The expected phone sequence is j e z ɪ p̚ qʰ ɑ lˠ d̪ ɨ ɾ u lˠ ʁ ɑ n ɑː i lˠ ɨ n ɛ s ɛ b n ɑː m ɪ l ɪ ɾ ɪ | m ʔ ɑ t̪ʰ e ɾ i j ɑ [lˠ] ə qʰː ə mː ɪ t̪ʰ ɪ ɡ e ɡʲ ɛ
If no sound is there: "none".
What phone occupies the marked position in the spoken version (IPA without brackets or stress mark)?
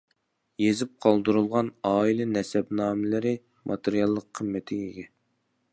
lˠː